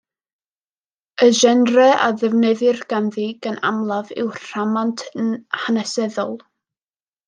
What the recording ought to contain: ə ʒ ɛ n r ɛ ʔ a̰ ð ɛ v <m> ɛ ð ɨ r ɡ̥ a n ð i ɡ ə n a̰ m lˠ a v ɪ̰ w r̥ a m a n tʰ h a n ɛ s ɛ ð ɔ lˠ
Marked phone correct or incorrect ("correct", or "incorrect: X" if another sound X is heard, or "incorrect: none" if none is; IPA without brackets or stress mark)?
incorrect: n